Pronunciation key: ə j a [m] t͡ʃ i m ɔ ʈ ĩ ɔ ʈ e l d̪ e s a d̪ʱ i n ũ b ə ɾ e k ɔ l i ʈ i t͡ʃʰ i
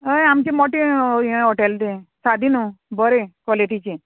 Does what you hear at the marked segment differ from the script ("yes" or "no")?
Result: no